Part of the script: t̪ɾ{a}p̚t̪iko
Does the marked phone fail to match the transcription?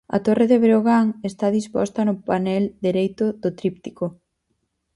yes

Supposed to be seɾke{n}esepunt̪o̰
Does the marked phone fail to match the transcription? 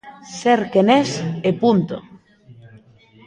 no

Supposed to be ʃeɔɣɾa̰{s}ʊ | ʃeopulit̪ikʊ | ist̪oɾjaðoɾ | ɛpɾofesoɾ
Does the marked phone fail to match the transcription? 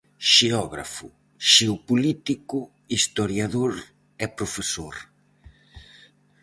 yes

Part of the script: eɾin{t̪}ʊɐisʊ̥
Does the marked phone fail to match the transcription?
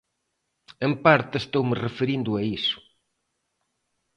yes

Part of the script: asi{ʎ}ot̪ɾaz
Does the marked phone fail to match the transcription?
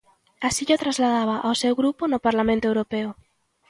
no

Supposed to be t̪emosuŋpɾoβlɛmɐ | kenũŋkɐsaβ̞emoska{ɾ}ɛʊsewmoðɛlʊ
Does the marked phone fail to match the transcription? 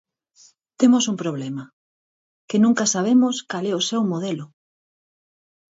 yes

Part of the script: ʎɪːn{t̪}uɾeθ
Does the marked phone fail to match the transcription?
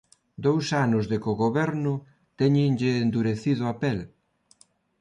yes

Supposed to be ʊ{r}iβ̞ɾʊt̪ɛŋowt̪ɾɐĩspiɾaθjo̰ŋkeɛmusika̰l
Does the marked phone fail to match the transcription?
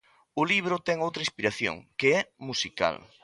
yes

